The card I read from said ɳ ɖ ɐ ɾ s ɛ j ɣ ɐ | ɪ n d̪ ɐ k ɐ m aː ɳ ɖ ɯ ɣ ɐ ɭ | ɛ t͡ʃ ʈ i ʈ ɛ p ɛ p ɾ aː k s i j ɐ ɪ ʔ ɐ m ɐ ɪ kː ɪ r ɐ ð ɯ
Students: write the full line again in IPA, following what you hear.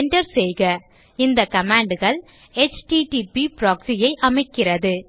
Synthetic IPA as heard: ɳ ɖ ɐ ɾ s ɛ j ɣ ɐ | ɪ n d̪ ɐ k ɐ m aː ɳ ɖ ɯ ɣ ɐ ɭ | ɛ t͡ʃ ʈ i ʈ i p i p ɾ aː k s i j ɐ ɪ ʔ ɐ m ɐ ɪ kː ɪ r ɐ ð ɯ